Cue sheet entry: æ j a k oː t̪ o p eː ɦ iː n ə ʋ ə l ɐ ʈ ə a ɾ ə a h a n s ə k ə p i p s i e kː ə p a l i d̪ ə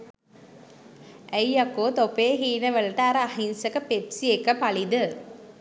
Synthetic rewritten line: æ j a k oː t̪ o p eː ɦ iː n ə ʋ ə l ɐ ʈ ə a ɾ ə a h i n s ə k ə p e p s i e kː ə p a l i d̪ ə

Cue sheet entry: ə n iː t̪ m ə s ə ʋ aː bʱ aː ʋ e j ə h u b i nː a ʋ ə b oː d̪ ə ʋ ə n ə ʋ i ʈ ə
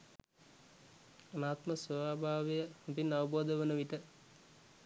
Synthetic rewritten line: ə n aː t̪ m ə s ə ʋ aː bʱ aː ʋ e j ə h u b i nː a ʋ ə b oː d̪ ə ʋ ə n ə ʋ i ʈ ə

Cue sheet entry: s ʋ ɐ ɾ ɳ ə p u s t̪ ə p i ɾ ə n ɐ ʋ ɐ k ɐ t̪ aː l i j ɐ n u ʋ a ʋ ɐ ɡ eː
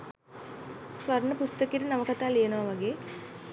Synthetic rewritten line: s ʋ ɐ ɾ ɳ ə p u s t̪ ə k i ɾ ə n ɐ ʋ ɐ k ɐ t̪ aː l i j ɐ n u ʋ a ʋ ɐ ɡ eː

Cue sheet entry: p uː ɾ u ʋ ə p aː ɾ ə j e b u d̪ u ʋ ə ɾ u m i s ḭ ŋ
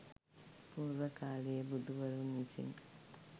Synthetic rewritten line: p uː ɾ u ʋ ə k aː l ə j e b u d̪ u ʋ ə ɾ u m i s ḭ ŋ

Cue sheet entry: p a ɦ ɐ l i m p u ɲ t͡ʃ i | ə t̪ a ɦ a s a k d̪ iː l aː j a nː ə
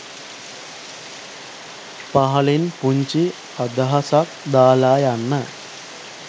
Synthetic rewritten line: p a ɦ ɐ l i n p u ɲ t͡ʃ i | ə d̪ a ɦ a s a k d̪ aː l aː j a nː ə

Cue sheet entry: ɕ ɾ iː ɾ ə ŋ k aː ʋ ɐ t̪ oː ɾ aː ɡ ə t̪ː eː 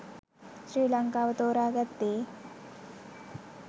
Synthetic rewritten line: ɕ ɾ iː l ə ŋ k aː ʋ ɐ t̪ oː ɾ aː ɡ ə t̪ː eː

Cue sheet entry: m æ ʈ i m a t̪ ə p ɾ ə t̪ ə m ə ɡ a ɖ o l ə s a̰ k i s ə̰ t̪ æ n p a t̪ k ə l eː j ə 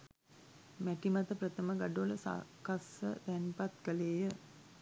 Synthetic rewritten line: m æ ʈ i m a t̪ ə p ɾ ə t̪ ə m ə ɡ a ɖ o l ə s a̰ k a s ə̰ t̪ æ n p a t̪ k ə l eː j ə

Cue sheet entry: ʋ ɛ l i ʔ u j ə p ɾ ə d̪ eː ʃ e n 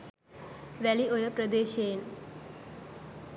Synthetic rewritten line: ʋ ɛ l i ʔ o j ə p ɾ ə d̪ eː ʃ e n

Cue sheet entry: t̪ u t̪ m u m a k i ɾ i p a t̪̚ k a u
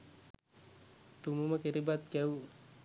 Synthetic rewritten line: t̪ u m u m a k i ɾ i b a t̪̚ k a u

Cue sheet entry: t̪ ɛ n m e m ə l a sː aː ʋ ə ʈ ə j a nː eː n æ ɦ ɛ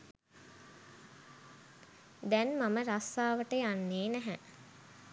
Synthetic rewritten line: d̪ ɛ n m a m ə ɾ a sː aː ʋ ə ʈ ə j a nː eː n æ ɦ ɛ

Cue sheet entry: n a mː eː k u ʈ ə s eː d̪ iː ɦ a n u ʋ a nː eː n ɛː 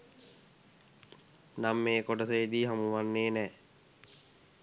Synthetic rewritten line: n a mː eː k o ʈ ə s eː d̪ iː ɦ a m u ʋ a nː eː n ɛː

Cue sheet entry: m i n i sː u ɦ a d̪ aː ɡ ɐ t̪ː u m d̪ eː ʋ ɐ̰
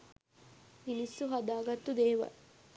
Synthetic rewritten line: m i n i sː u ɦ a d̪ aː ɡ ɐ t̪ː u d̪ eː ʋ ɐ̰

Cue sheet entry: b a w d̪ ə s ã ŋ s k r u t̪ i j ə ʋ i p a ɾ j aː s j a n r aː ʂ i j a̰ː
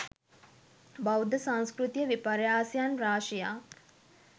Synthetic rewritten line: b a w d̪ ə s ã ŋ s k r u t̪ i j ə ʋ i p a ɾ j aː s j a n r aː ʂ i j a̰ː

